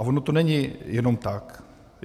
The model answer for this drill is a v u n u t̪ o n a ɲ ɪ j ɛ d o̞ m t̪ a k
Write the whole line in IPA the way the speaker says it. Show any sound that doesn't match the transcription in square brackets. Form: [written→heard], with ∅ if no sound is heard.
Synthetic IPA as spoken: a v [u→o] n [u→o] t̪ o n [a→ɛ] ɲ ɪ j ɛ [d→n] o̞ m t̪ a k